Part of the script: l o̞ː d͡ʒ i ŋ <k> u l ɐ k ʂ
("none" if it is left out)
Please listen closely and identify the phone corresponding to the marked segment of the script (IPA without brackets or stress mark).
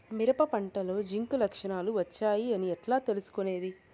k